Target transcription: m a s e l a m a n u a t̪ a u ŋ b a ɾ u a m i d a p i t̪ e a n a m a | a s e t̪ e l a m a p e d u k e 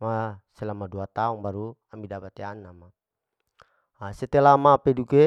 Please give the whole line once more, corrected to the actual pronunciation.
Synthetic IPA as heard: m a s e l a m a d u a t̪ a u ŋ b a ɾ u a m i d a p a t̪ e a n a m a | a s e t̪ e l a m a p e d u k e